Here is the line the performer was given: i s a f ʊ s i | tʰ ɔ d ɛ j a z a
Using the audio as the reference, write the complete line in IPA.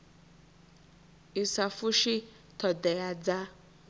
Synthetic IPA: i s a f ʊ ʃ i | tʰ ɔ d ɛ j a d͡z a